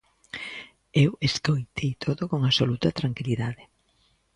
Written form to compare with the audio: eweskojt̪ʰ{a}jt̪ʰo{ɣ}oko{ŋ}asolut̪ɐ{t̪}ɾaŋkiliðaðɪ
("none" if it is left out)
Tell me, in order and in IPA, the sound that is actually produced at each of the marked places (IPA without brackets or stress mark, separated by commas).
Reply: e, ð, ŋ, t̪